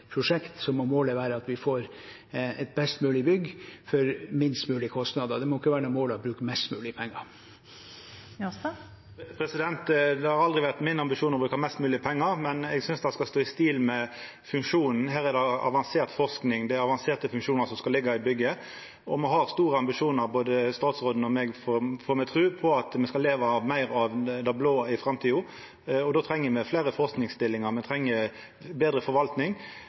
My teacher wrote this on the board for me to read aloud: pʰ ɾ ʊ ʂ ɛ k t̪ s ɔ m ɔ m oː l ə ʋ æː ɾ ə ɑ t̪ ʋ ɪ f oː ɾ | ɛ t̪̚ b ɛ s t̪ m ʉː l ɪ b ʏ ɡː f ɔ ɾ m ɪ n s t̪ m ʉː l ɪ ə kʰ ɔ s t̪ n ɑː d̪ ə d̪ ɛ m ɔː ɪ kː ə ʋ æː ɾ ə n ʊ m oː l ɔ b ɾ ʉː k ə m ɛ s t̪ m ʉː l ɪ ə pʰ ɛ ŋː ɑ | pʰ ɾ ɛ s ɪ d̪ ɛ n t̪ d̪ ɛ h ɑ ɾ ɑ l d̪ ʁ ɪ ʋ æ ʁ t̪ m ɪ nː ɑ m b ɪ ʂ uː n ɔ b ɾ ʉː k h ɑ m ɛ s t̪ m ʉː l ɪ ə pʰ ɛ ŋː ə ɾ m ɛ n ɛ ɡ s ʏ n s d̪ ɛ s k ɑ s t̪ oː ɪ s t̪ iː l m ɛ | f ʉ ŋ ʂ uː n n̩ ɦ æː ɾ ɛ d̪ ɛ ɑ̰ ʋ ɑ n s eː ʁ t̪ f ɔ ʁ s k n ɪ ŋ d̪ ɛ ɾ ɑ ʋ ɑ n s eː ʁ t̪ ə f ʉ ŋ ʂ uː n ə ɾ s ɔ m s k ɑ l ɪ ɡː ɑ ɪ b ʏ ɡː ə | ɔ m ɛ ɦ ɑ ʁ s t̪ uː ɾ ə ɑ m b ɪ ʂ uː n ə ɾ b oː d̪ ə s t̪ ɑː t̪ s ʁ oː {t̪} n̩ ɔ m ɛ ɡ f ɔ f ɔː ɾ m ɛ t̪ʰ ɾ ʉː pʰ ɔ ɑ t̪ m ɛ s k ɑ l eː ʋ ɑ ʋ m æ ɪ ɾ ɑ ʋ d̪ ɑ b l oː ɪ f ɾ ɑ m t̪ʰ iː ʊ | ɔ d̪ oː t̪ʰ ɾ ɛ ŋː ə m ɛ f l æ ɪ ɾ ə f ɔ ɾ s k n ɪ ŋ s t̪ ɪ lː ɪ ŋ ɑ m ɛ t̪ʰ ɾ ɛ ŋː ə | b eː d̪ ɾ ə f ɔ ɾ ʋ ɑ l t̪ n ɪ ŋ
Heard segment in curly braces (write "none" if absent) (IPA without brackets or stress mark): d̪